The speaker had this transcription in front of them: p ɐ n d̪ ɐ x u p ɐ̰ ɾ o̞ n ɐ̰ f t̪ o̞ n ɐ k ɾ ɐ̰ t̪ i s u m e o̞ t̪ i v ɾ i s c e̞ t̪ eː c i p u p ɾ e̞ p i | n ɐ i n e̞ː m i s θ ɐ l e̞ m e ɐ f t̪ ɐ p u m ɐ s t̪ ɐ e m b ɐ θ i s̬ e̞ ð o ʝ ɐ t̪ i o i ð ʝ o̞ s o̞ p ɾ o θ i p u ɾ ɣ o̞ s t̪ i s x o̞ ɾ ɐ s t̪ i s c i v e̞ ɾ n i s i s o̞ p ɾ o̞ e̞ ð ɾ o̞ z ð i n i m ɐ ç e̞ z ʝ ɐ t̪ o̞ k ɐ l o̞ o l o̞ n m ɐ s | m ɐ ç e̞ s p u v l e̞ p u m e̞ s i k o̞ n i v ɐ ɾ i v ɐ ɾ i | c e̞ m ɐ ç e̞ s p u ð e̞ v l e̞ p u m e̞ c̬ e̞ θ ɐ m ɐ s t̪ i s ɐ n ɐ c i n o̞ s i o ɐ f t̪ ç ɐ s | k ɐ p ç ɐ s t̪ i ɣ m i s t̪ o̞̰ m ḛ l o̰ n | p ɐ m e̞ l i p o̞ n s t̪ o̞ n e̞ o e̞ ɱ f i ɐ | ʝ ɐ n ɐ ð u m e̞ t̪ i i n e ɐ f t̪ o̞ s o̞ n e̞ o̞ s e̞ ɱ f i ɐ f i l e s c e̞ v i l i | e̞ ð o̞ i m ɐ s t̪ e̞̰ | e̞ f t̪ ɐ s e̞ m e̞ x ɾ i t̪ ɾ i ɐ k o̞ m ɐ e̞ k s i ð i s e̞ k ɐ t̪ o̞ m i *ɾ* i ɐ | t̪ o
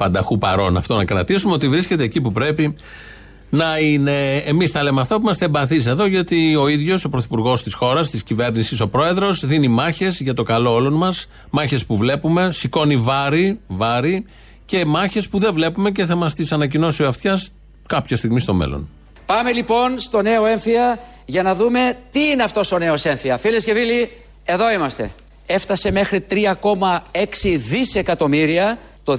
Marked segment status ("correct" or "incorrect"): correct